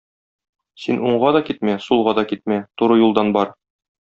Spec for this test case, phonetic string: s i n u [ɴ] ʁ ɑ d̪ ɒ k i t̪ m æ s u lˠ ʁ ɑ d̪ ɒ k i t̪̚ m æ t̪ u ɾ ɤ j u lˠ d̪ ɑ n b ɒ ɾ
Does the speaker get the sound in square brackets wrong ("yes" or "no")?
no